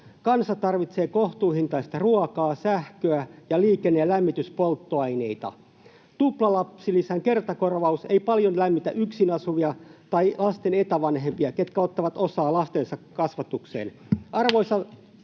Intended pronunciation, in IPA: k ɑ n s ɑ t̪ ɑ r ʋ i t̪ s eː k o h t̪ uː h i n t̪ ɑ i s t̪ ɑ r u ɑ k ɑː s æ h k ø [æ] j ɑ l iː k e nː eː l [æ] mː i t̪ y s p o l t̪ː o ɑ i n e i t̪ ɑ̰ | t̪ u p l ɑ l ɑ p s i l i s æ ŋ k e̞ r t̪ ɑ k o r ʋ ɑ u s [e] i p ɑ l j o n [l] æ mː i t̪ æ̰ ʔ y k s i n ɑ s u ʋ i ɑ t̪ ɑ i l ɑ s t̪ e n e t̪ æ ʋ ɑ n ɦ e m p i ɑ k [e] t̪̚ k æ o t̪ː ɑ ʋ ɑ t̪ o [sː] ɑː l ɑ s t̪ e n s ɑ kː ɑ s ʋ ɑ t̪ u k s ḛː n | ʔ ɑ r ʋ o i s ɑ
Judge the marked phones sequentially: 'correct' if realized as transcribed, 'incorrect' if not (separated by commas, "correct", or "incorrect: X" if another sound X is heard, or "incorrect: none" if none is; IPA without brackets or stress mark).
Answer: correct, correct, correct, correct, correct, incorrect: s